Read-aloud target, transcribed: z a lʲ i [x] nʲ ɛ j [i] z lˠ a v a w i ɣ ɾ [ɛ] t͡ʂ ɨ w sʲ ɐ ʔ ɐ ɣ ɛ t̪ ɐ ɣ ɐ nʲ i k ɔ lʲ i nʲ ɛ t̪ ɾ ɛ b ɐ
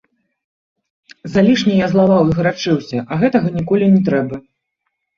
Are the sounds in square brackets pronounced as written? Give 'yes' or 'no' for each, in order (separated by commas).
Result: no, no, no